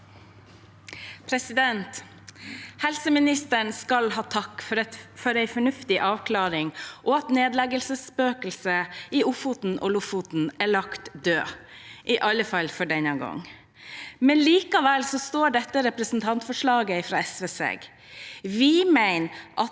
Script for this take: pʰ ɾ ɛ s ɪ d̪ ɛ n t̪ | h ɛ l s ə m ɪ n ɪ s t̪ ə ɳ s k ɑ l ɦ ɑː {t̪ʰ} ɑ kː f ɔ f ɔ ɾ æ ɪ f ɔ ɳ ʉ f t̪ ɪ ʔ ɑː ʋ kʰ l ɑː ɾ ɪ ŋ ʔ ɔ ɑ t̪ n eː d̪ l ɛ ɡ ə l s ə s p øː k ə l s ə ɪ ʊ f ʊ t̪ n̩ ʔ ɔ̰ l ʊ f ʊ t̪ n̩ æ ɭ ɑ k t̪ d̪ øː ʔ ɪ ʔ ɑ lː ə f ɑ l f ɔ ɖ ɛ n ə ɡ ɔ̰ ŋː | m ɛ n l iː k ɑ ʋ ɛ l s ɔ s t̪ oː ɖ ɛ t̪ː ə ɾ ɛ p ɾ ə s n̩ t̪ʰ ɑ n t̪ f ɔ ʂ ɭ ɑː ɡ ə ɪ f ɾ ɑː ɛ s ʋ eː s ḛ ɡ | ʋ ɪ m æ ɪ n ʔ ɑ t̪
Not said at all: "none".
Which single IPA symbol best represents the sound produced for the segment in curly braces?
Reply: t̪ʰ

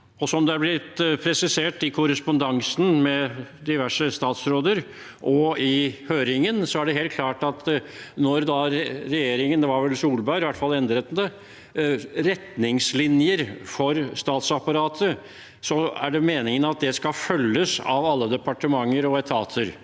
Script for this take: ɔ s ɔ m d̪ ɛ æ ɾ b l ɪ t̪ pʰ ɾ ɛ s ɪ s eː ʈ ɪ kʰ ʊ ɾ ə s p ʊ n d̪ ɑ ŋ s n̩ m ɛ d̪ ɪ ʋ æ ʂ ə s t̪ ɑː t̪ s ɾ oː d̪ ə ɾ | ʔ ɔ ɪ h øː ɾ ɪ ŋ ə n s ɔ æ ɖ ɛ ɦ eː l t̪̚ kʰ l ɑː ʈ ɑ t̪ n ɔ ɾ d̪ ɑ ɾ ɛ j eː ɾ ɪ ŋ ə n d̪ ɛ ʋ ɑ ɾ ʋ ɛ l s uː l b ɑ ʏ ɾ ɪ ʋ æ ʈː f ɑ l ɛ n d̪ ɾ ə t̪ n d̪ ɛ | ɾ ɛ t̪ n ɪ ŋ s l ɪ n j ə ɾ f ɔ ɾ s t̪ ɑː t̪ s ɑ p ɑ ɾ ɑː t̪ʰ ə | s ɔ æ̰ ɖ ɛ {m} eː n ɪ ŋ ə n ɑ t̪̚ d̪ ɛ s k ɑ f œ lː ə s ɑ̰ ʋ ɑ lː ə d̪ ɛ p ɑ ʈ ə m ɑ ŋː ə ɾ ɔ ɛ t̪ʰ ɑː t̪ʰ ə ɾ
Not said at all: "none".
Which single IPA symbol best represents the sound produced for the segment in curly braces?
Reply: m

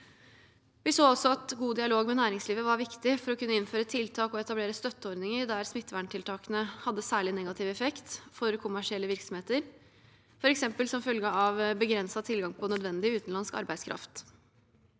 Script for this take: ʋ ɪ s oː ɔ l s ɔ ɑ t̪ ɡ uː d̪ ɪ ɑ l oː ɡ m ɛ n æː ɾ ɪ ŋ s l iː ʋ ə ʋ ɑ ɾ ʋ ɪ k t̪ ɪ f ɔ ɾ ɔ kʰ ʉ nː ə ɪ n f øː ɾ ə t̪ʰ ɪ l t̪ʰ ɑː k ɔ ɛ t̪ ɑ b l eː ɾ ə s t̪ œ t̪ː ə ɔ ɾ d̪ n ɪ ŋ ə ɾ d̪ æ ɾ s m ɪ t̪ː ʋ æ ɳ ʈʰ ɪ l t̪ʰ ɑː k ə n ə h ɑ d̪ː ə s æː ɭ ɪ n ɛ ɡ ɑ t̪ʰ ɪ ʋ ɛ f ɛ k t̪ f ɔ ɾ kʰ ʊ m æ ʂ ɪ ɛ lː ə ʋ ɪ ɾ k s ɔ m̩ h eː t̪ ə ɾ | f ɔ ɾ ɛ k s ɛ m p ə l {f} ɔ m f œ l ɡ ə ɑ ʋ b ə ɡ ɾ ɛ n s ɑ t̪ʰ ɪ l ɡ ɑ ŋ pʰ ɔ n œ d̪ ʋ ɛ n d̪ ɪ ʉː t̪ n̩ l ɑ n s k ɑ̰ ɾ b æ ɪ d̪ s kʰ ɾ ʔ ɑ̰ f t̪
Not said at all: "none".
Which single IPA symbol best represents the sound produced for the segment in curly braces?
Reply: s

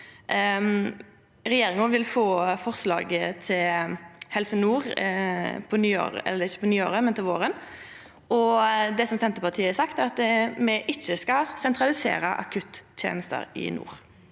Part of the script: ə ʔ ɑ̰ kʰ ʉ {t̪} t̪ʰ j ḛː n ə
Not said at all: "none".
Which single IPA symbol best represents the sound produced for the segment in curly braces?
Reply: t̪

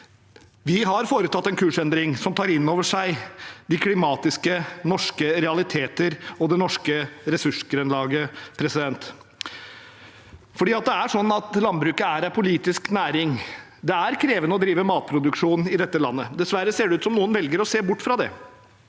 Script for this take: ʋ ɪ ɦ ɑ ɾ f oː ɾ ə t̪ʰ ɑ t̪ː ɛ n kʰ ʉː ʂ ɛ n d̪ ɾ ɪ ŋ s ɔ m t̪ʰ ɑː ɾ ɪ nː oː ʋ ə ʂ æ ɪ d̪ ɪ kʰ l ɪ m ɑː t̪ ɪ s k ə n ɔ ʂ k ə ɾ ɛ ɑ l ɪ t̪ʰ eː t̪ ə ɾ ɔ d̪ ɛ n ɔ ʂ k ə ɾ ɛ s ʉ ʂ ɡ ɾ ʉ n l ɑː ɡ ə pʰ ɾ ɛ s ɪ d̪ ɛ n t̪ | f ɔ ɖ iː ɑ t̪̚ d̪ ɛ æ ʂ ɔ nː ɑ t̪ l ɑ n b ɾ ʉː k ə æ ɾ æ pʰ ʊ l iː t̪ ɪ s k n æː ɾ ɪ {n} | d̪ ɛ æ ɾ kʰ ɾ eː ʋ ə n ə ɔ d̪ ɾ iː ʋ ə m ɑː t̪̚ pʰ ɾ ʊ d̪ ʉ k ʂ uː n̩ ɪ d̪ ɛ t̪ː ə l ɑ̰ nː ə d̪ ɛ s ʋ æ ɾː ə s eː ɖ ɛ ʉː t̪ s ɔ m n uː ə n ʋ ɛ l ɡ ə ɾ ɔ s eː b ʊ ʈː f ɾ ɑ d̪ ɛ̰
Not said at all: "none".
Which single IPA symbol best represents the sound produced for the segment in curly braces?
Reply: ŋ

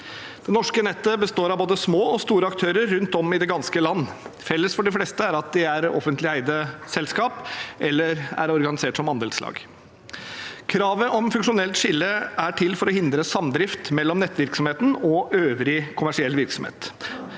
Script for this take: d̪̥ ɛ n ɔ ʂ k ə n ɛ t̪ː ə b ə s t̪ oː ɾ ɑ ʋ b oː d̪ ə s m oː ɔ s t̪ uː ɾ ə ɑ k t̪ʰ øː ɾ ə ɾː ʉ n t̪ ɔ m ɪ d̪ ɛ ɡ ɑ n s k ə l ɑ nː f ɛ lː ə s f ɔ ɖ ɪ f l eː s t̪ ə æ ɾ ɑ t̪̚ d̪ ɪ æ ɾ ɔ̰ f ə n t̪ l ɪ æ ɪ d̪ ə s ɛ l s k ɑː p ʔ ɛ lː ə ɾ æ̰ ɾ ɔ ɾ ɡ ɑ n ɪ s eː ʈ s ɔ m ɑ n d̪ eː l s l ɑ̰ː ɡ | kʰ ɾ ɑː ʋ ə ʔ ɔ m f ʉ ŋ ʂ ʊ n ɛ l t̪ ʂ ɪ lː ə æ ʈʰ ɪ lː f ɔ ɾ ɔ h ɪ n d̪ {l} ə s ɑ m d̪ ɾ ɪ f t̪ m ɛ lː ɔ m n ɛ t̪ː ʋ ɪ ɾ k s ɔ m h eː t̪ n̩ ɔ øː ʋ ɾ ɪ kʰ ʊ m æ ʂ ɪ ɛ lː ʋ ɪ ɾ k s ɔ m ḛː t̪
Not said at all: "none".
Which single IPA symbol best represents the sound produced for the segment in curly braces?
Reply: ɾ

